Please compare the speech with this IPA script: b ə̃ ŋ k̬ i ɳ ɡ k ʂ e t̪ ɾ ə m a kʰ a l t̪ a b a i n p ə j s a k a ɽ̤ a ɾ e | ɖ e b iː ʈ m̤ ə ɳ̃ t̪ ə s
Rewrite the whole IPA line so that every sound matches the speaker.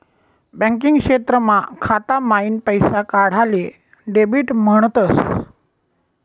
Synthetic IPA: b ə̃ ŋ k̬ i ŋ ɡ k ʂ e t̪ ɾ ə m a kʰ a t̪ a m a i n p ə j s a k a ɽ̤ a l e | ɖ e b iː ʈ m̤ ə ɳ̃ t̪ ə s